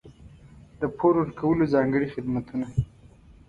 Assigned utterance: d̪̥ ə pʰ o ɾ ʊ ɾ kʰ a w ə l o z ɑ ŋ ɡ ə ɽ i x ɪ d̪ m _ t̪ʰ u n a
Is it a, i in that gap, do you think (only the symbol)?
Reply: a